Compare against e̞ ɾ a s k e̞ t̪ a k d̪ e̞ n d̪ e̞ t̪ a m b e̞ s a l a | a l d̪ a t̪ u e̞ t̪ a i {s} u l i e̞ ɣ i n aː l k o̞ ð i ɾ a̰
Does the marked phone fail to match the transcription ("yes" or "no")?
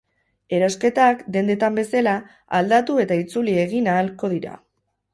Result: yes